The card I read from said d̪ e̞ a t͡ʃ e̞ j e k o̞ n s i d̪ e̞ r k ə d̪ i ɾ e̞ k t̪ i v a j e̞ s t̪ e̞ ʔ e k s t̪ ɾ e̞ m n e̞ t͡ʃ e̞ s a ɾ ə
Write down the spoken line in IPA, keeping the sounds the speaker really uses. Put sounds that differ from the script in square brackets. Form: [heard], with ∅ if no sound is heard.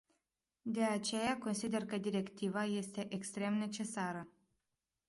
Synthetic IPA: d̪ e̞ a t͡ʃ e̞ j [a] k o̞ n s i d̪ e̞ r k ə d̪ i ɾ e̞ k t̪ i v a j e̞ s t̪ e̞ ʔ e k s t̪ ɾ e̞ m n e̞ t͡ʃ e̞ s a ɾ ə